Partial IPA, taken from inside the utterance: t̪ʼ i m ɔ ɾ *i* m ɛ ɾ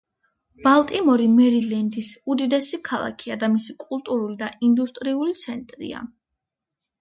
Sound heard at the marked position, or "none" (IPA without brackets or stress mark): i